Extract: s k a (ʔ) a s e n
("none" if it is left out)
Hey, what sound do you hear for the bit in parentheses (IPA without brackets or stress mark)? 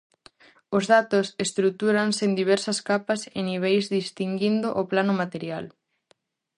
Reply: p